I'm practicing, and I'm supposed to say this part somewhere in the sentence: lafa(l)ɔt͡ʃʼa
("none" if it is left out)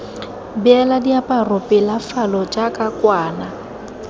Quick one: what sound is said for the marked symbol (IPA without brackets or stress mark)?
l